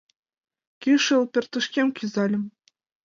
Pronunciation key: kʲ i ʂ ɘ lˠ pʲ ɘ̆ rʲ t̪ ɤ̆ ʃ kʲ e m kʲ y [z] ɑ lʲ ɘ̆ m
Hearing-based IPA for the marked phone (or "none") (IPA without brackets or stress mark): z